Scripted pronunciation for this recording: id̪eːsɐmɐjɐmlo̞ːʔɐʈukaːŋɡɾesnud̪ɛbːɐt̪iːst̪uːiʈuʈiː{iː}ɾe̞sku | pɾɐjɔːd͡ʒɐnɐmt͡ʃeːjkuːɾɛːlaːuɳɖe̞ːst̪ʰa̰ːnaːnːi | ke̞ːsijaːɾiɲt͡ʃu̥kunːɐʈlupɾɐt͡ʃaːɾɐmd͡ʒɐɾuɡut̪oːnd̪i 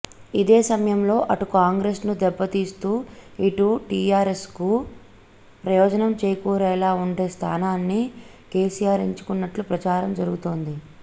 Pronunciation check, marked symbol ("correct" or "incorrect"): incorrect